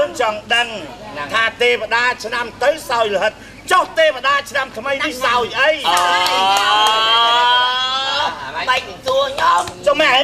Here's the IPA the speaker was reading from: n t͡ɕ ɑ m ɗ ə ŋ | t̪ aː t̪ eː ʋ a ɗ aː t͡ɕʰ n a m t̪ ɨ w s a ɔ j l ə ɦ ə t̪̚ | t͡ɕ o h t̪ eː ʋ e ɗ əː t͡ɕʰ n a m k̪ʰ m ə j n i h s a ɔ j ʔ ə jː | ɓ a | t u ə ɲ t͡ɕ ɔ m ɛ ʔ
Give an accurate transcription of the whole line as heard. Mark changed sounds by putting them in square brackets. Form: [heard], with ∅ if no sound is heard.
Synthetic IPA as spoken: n t͡ɕ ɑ [ŋ] ɗ ə ŋ | [t̪ʰ] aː t̪ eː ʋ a ɗ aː t͡ɕʰ n a m t̪ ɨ w s a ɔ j l ə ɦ ə t̪̚ | t͡ɕ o h t̪ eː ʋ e ɗ [aː] t͡ɕʰ n a m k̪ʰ m ə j n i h s a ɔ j ʔ ə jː | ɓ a | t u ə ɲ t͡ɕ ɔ m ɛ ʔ